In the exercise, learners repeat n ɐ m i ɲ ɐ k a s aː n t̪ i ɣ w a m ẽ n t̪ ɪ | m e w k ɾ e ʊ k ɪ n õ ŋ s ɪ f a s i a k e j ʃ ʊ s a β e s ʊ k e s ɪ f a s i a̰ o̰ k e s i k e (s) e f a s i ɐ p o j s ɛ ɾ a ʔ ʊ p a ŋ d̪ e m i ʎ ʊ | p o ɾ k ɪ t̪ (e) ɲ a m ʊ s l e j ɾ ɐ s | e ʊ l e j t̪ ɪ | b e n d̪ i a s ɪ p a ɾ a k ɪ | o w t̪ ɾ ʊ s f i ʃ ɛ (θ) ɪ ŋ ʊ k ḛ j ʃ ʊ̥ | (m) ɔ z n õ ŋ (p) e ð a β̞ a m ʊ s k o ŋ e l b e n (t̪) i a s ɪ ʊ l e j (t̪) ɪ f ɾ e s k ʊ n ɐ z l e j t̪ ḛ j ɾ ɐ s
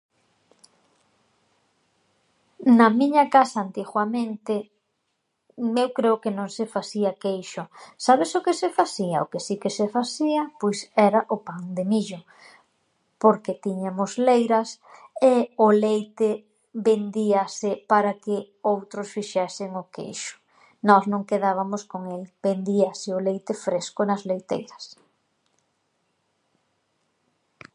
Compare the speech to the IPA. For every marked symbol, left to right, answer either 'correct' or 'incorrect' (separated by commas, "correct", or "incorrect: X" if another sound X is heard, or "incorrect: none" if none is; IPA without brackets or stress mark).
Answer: correct, incorrect: i, incorrect: s, incorrect: n, incorrect: k, incorrect: d̪, correct